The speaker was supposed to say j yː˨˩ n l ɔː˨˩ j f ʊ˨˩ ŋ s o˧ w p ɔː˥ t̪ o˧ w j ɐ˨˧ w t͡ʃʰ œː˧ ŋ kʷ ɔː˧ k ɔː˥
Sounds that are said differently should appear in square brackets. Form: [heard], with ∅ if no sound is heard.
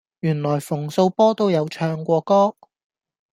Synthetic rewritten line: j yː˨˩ n l ɔː˨˩ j f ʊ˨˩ ŋ s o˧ w p ɔː˥ t̪ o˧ w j ɐ˨˧ w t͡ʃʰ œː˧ ŋ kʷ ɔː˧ k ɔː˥